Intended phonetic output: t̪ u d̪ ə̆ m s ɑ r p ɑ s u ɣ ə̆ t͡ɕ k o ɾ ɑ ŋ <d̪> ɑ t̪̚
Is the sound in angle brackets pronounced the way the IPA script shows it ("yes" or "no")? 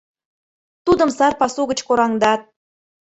yes